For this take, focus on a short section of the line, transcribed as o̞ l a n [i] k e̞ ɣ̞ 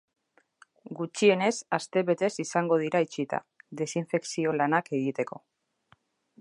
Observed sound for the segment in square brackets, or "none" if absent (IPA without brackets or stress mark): a